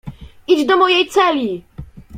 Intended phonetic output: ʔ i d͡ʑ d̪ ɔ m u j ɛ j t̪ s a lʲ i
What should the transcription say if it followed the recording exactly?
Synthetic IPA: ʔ i d͡ʑ d̪ ɔ m ɔ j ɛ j t̪ s ɛ lʲ i